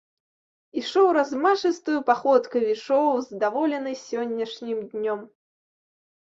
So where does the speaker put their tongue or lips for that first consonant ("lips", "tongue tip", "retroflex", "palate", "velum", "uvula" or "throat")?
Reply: retroflex